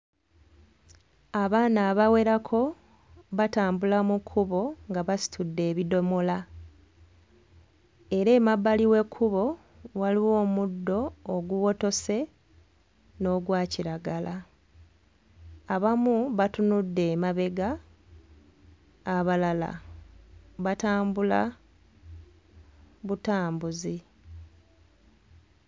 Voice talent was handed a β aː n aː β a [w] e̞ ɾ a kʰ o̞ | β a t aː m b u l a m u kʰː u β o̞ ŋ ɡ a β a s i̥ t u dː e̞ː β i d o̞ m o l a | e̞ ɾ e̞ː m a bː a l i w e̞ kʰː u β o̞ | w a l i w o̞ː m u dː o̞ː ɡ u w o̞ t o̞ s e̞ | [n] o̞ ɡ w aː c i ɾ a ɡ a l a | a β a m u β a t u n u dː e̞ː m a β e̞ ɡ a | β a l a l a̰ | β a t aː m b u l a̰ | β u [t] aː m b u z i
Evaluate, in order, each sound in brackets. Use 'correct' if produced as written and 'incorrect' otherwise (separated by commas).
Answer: correct, correct, correct